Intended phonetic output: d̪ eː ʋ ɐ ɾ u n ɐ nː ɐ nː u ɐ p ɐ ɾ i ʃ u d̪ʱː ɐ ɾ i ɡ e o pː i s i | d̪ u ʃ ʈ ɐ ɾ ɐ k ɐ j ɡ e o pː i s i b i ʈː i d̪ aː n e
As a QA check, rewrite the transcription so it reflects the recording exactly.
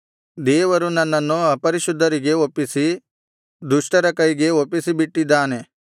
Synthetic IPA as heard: d̪ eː ʋ ɐ ɾ u n ɐ nː ɐ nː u ɐ p ɐ ɾ i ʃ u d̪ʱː ɐ ɾ i ɡ e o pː i s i | d̪ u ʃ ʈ ɐ ɾ ɐ k ɐ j ɡ e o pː i s i b i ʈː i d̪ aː n e